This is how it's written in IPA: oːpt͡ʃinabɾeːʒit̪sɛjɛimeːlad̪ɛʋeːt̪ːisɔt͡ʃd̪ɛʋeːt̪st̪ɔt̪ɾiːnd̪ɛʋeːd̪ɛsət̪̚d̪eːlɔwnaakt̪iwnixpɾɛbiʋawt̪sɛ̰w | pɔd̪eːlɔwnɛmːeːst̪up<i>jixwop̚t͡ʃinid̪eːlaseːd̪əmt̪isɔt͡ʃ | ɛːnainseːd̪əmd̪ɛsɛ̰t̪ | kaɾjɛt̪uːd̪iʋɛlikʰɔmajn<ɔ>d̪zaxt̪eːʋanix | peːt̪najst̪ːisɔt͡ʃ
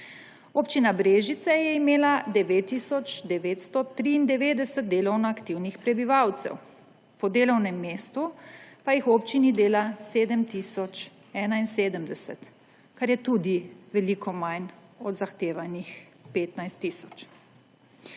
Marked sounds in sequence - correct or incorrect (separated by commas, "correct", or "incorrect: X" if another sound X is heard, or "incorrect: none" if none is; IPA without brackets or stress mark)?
incorrect: a, correct